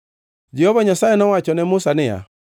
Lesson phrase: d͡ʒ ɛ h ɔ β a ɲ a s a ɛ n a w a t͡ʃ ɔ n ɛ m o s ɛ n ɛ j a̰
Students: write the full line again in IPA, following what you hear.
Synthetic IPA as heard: d͡ʒ ɛ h ɔ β a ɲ a s a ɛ n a w a t͡ʃ ɔ n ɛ m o s a n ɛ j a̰